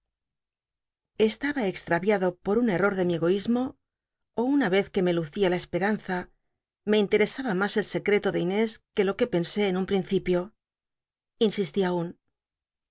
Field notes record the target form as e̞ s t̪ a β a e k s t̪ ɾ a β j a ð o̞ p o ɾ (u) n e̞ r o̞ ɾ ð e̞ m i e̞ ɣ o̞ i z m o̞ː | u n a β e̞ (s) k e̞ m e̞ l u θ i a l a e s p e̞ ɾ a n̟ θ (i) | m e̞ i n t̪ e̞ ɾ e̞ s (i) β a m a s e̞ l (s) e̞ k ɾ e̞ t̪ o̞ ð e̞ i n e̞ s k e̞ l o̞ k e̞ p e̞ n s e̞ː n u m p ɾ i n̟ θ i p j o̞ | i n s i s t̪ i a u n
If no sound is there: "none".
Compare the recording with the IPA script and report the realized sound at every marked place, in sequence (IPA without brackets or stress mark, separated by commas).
u, θ, a, a, s